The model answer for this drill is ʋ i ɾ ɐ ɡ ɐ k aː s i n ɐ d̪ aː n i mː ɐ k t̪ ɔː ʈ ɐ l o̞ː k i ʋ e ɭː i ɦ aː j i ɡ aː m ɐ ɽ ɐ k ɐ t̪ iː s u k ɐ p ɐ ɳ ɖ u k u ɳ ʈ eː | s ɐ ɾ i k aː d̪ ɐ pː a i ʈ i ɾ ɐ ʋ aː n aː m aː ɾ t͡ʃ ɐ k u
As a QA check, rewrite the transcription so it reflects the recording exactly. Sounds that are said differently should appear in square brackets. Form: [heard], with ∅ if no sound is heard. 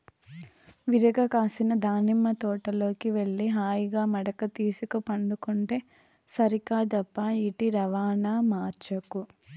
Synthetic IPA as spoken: ʋ i ɾ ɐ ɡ ɐ k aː s i n ɐ d̪ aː n i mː ɐ [∅] t̪ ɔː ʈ ɐ l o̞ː k i ʋ e ɭː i ɦ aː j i ɡ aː m ɐ ɽ ɐ k ɐ t̪ iː s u k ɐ p ɐ ɳ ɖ u k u ɳ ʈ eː | s ɐ ɾ i k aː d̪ ɐ pː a i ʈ i ɾ ɐ ʋ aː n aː m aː ɾ t͡ʃ ɐ k u